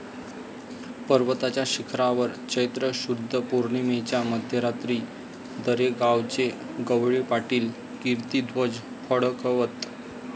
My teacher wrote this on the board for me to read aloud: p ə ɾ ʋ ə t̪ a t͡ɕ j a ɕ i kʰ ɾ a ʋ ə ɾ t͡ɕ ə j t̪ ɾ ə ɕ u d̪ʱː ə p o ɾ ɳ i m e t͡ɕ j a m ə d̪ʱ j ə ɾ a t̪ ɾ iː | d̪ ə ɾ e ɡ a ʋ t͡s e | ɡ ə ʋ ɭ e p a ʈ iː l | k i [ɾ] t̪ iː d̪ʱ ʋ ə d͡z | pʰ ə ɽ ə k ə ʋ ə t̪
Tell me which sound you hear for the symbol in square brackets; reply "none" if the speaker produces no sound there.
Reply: ɾ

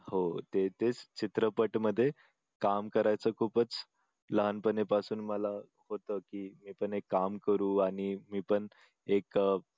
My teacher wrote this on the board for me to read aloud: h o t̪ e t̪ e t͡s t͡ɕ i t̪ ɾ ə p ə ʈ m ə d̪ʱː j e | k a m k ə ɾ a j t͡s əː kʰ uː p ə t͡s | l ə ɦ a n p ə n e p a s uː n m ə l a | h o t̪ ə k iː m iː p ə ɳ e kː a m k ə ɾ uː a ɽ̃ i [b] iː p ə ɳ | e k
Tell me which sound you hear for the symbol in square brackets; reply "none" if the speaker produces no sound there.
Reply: m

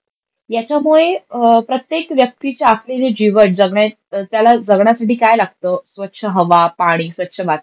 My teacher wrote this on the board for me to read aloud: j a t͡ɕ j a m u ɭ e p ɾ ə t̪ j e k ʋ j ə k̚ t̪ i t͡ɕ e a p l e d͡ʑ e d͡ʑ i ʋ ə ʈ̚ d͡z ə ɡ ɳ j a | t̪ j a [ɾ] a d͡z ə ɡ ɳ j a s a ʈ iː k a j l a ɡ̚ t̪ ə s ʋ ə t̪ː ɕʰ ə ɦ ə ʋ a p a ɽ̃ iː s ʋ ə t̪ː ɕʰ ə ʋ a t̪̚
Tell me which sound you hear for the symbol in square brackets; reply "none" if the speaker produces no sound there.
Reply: l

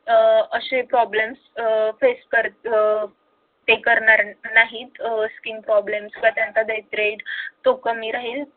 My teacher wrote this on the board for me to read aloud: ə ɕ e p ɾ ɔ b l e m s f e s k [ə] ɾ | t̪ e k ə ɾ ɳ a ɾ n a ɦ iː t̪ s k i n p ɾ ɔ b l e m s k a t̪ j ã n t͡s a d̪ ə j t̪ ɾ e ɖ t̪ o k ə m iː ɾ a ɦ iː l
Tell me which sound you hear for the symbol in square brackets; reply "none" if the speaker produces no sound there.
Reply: ə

